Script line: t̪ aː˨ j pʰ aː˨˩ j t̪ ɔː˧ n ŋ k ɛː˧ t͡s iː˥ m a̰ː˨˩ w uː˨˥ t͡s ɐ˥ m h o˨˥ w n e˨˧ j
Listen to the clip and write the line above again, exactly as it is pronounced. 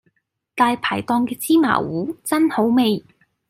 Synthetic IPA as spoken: t̪ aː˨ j pʰ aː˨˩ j t̪ ɔː˧ ŋ k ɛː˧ t͡s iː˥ m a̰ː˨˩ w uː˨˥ t͡s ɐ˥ n h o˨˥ w m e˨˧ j